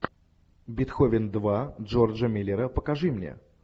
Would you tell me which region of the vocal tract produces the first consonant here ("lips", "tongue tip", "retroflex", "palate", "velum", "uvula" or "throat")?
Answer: lips